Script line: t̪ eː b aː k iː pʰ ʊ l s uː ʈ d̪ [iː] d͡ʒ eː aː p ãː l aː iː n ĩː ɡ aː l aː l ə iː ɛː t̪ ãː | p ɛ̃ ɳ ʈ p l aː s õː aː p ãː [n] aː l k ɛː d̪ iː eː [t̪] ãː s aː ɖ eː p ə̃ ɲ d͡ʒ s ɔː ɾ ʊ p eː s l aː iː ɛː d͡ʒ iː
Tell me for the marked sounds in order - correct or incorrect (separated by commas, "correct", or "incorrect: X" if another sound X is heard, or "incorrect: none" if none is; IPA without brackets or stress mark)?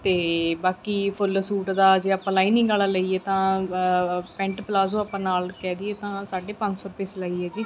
incorrect: aː, correct, correct